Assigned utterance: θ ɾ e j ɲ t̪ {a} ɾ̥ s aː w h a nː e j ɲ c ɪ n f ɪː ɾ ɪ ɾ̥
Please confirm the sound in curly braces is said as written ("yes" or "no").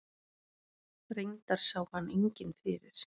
yes